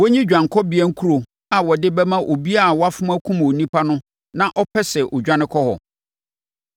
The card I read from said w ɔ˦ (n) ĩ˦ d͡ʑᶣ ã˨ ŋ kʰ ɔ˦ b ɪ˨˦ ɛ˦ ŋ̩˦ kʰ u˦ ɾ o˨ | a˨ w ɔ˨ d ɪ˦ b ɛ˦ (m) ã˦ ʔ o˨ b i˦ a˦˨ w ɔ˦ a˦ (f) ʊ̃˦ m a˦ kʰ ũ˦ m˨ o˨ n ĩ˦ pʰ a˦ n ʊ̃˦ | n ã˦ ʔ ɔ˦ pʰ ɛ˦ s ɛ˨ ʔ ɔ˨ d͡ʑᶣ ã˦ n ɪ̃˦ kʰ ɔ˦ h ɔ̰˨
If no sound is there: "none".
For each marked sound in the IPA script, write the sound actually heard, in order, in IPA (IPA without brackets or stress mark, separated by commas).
ɲ, m, f